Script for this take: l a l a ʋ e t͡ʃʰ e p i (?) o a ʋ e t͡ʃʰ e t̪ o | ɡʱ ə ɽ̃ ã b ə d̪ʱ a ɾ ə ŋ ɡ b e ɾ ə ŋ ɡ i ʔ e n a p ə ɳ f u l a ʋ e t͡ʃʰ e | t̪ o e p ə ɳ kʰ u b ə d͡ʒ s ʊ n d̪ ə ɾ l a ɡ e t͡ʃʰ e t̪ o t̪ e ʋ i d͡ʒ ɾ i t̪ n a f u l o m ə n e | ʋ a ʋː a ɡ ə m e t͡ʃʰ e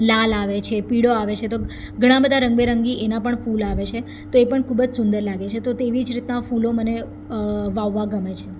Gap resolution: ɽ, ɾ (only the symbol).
ɽ